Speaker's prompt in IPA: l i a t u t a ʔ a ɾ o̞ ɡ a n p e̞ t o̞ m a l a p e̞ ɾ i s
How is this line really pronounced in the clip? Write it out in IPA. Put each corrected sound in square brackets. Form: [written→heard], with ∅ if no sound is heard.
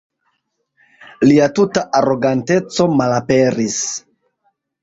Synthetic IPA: l i a t u t a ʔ a ɾ o̞ ɡ a n [p→t] e̞ [t→t͡s] o̞ m a l a p e̞ ɾ i s